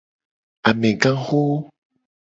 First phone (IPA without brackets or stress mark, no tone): a